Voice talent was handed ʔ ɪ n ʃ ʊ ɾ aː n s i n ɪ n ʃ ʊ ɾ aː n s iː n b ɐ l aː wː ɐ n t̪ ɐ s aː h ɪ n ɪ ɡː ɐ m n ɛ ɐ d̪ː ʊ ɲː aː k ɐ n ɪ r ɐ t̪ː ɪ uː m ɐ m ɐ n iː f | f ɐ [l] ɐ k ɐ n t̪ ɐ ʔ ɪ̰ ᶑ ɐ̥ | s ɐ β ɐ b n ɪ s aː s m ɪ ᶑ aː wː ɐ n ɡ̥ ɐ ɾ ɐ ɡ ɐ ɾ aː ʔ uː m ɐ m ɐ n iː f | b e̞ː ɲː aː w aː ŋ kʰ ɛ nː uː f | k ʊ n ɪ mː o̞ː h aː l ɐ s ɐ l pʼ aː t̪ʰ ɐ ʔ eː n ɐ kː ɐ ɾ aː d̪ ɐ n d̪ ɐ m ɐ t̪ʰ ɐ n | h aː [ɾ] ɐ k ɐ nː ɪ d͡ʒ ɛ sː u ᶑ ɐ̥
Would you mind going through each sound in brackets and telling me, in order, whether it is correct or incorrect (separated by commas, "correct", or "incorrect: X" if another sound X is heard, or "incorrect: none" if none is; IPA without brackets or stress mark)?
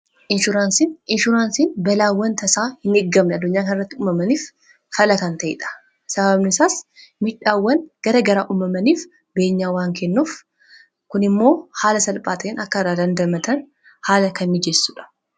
correct, incorrect: l